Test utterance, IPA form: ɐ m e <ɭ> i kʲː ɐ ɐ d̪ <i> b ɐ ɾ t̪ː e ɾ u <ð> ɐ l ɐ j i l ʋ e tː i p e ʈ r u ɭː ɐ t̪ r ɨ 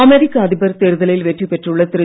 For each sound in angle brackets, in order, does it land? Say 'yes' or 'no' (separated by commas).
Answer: no, yes, yes